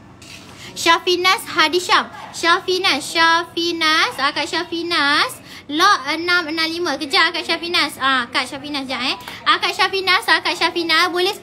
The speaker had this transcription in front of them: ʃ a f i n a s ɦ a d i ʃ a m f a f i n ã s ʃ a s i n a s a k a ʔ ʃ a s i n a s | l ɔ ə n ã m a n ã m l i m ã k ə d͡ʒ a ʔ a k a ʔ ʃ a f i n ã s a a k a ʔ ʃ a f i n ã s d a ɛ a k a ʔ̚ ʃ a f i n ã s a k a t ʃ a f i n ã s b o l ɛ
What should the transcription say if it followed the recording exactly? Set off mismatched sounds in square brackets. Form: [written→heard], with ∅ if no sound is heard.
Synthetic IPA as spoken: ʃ a f i n a s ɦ a d i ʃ a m [f→ʃ] a f i n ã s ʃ a [s→f] i n a s a k a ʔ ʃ a [s→f] i n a s | l ɔ ə n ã m [a→ə] n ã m l i m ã k ə d͡ʒ a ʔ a k a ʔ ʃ a f i n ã s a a k a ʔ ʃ a f i n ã s [d→d͡ʒ] a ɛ a k a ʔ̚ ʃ a f i n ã s a k a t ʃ a f i n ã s b o l ɛ